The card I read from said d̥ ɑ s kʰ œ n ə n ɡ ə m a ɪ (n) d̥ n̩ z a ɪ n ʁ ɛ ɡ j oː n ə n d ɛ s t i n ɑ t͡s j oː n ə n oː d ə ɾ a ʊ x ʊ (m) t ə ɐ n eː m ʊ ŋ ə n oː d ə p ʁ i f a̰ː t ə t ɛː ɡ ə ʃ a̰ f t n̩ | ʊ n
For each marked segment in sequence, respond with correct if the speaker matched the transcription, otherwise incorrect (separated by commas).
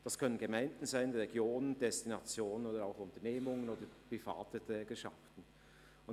correct, incorrect